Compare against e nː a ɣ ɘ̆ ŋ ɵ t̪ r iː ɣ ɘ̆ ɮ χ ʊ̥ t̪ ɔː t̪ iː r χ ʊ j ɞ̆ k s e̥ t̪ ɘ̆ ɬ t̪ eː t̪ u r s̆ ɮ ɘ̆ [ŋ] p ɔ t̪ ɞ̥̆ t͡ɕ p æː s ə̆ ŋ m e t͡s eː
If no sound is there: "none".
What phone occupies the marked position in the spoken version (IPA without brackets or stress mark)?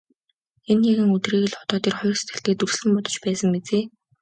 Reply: m